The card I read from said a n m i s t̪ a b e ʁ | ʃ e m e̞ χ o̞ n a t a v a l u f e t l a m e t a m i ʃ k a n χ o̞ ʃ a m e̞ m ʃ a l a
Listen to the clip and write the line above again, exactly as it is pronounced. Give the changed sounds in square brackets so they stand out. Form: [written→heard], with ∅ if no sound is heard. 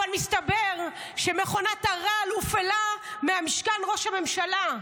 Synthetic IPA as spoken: a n m i s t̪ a b e ʁ | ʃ e m e̞ χ o̞ n a t a [v→ʁ] a l u f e [t→∅] l a m e [t→∅] a m i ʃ k a n [χ→ʁ] o̞ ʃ a m e̞ m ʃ a l a

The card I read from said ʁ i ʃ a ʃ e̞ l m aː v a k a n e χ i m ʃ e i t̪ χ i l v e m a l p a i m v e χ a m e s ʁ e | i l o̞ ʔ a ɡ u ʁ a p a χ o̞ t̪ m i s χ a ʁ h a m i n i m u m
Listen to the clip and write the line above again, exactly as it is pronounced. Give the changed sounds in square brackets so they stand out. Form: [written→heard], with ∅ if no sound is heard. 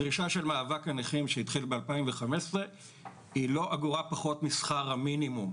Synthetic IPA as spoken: ʁ i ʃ a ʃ e̞ l m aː v a k a n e χ i m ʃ e i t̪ χ i l [v→b] e [m→∅] a l p a i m v e χ a m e s ʁ e | i l o̞ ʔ a ɡ u ʁ a p a χ o̞ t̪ m i s χ a ʁ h a m i n i m u m

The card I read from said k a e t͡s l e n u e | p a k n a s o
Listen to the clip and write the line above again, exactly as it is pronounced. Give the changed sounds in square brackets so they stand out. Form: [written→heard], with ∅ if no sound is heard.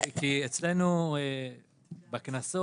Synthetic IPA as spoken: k [a→i] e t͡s l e n u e | [p→b] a k n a s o

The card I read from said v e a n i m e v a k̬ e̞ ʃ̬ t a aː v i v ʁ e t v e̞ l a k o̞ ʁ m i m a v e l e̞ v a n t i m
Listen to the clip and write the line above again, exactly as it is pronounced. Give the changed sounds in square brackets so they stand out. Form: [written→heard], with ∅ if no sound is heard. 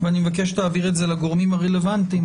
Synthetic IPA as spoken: v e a n i m e v a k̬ e̞ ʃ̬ t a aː v i [v→∅] ʁ e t [v→z] e̞ l a [k→ɡ] o̞ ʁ m i m a [v→ʁ] e l e̞ v a n t i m

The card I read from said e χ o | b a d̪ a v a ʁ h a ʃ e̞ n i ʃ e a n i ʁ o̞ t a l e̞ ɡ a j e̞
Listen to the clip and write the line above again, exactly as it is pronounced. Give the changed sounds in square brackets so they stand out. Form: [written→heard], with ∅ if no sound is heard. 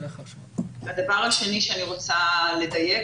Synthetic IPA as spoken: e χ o | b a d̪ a v a ʁ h a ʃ e̞ n i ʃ e a n i ʁ o̞ [t→t͡s] a l e̞ [ɡ→d] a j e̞

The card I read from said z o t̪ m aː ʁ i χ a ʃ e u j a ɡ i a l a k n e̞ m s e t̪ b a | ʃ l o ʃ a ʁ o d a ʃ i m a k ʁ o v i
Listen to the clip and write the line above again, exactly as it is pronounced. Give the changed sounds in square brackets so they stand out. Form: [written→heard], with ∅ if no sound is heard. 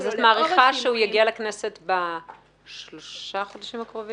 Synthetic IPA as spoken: z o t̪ m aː ʁ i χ a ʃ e u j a ɡ i a l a k n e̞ [m→∅] s e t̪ b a | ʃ l o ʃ a [ʁ→χ] o d a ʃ i m a k ʁ o v i

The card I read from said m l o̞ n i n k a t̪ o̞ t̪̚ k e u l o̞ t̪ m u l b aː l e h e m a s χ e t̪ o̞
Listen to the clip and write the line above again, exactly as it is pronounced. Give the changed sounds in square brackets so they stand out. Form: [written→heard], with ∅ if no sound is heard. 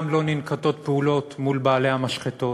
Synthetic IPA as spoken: m l o̞ n i n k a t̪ o̞ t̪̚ [k→p] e u l o̞ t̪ m u l b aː l e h [e→a] m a [s→ʃ] χ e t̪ o̞

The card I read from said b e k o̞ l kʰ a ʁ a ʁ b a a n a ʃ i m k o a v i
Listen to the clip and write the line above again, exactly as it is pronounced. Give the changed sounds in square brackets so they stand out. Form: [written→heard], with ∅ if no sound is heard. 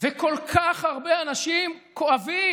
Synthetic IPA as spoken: [b→v] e k o̞ l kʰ a [ʁ→χ] a ʁ b [a→e] a n a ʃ i m k o a v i

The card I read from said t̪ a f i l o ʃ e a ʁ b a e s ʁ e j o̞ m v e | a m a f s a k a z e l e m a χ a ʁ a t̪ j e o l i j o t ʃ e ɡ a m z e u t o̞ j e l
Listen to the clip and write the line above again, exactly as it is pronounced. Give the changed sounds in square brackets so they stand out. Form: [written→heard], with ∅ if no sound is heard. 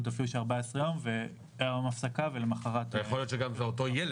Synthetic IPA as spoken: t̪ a f i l [o→u] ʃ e a ʁ b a e s ʁ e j o̞ m v e | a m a f s a k a [z→v] e l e m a χ a ʁ a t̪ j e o l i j o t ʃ e ɡ a m z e [u→o] t o̞ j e l

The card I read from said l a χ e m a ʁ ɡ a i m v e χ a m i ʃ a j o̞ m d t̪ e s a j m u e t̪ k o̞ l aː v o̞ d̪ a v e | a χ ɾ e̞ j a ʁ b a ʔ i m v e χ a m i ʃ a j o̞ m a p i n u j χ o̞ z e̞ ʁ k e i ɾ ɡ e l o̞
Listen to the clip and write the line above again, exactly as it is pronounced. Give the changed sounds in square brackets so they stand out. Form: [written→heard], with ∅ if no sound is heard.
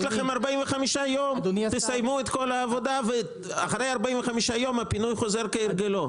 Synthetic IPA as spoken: l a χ e m a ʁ [ɡ→b] a i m v e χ a m i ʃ a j o̞ m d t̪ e s a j m u e t̪ k o̞ l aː v o̞ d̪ a v e | a χ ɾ e̞ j a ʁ b a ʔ i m v e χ a m i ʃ a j o̞ m a p i n u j χ o̞ z e̞ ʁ k e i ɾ ɡ e l o̞

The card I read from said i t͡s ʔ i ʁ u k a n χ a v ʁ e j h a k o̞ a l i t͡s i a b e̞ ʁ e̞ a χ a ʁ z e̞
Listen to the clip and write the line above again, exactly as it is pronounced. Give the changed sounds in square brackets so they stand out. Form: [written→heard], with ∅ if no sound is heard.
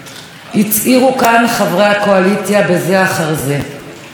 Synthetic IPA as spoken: i t͡s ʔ i ʁ u k a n χ a v ʁ e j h a k o̞ a l i t͡s [i→j] a b e̞ [ʁ→z] e̞ a χ a ʁ z e̞

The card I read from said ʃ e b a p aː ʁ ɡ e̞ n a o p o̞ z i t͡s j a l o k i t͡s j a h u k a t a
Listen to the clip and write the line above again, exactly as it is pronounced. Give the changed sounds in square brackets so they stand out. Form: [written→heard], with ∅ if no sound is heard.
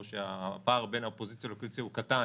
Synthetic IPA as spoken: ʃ e [b→∅] a p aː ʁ [ɡ→b] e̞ n a o p o̞ z i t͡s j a l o k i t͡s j a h u k a t a

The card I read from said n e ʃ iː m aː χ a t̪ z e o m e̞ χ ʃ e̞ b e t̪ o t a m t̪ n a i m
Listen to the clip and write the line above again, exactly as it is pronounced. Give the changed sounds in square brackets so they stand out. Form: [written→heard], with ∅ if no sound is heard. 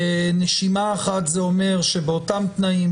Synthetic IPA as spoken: n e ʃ [iː→i] m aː χ a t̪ z e o m e̞ [χ→ʁ] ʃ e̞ b e [t̪→∅] o t a m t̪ n a i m

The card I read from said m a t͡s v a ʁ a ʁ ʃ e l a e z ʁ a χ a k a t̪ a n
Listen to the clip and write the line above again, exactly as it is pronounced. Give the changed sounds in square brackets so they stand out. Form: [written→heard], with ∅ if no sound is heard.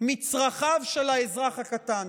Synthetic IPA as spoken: m [a→i] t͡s [v→ʁ] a [ʁ→χ] a [ʁ→v] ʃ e l a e z ʁ a χ a k a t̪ a n

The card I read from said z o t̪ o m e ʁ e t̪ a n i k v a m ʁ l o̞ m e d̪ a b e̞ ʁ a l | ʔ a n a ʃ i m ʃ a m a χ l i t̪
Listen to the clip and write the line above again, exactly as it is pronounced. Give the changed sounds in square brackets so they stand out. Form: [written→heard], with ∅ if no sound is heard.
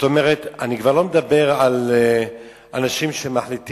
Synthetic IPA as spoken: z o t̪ o m e ʁ e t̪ a n i k v a [m→∅] ʁ l o̞ m e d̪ a b e̞ ʁ a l | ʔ a n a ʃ i m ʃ [a→e] m a [χ→ħ] l i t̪

